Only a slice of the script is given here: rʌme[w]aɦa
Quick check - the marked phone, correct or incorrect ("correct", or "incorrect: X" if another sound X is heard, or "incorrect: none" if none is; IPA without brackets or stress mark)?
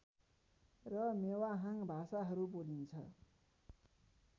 correct